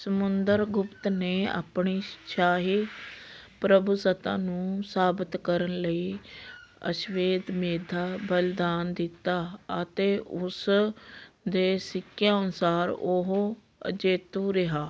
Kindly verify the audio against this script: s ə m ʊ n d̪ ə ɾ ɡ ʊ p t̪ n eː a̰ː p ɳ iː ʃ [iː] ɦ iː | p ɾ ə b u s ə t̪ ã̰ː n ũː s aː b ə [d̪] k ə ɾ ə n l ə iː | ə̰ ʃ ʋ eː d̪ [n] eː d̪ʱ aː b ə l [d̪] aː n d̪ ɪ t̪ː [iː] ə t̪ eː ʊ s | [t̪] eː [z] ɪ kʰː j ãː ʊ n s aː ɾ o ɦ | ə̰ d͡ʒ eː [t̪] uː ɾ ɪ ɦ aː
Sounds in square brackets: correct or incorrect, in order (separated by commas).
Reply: incorrect, incorrect, incorrect, correct, incorrect, incorrect, incorrect, correct